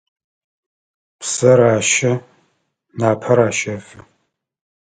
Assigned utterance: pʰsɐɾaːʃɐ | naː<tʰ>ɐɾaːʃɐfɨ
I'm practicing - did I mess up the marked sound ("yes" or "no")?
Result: yes